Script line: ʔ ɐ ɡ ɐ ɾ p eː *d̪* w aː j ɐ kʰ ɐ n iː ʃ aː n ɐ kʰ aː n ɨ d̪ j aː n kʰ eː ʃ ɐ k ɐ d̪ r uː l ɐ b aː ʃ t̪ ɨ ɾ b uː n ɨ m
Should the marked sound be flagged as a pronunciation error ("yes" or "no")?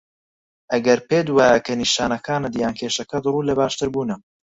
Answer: no